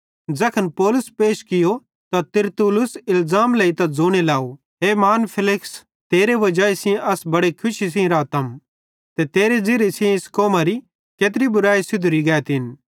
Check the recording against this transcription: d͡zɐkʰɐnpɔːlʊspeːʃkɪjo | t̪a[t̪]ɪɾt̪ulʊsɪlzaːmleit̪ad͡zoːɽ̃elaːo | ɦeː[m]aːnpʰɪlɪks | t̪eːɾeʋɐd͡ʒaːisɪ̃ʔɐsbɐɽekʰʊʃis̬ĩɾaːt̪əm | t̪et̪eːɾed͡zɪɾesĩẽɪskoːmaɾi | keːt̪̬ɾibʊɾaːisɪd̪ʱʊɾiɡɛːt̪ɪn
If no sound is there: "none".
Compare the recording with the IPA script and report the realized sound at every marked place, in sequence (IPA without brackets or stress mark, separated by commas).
t̪, m